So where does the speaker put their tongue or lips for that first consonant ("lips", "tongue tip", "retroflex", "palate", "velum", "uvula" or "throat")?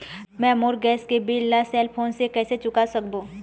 lips